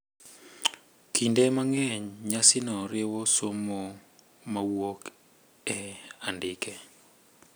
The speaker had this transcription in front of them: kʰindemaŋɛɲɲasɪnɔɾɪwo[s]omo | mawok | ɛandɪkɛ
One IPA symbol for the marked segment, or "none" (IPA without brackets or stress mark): s